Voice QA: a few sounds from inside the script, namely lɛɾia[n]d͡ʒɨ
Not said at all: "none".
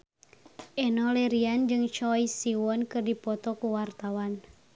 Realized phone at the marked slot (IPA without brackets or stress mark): n